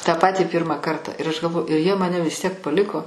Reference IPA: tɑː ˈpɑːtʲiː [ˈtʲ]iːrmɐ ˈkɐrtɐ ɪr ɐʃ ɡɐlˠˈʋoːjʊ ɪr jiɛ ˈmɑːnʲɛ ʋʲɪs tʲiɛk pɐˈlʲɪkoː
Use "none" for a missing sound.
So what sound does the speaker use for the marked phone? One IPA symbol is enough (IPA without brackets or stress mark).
pʲ